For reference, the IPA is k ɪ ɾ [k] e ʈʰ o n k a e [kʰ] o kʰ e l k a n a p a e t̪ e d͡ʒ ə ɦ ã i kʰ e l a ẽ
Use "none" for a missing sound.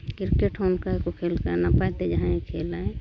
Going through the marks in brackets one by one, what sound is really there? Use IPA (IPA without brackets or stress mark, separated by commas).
k, k